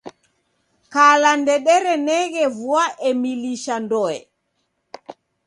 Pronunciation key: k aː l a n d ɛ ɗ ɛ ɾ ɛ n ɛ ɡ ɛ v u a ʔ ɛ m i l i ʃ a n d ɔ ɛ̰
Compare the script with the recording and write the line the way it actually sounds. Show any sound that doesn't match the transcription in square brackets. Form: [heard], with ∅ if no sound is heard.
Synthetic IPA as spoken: k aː l a n d ɛ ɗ ɛ ɾ ɛ n ɛ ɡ ɛ v u a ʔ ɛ m i l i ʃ a n d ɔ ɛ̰